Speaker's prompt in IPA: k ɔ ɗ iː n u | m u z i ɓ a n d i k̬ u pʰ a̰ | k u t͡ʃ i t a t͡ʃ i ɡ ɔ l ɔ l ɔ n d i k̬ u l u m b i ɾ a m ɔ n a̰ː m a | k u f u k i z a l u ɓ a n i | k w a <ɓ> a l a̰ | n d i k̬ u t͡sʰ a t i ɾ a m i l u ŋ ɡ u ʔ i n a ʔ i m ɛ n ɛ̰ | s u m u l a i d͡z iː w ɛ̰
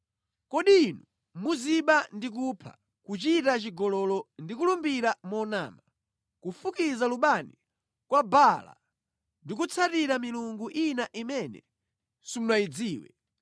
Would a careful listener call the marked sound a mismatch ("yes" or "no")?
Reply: yes